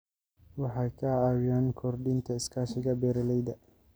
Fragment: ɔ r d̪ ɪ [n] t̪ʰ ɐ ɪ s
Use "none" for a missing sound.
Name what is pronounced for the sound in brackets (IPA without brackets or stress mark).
n